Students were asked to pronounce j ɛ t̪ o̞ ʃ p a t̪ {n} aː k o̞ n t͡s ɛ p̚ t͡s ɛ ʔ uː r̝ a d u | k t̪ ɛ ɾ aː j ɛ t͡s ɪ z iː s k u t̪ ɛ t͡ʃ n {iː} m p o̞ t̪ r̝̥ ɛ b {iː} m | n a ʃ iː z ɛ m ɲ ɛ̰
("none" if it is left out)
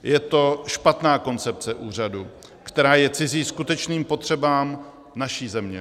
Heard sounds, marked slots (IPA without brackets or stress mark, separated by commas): n, iː, aː